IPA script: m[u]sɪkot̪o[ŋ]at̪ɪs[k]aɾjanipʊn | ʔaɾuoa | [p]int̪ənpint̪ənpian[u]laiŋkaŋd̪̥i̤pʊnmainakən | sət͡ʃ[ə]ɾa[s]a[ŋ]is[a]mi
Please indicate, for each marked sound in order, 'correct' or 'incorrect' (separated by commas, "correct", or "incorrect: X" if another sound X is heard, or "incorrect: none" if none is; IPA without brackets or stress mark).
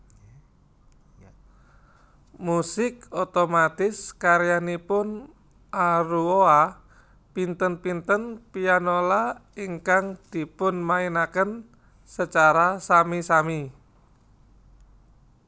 correct, incorrect: m, correct, correct, incorrect: o, incorrect: a, correct, incorrect: m, correct